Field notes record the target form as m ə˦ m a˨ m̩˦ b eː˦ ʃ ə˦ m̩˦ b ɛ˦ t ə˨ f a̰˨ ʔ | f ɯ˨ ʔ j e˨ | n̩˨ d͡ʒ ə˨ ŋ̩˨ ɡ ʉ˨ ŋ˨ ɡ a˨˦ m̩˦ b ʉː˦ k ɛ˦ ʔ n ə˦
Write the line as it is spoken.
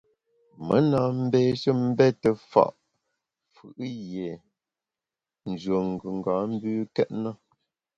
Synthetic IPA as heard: m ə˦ n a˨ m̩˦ b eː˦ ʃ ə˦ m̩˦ b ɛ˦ t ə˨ f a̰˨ ʔ | f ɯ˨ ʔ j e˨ | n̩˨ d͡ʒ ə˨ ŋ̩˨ ɡ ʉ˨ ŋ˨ ɡ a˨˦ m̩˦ b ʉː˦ k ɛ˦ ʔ n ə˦